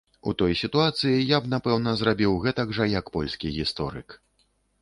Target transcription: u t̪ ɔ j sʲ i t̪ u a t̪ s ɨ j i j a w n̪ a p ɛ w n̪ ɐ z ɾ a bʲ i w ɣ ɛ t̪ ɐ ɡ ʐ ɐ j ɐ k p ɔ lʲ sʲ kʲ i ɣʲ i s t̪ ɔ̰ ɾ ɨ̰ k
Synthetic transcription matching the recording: u t̪ ɔ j sʲ i t̪ u a t̪ s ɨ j i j a b n̪ a p ɛ w n̪ ɐ z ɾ a bʲ i w ɣ ɛ t̪ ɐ ɡ ʐ ɐ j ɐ k p ɔ lʲ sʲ kʲ i ɣʲ i s t̪ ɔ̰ ɾ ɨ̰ k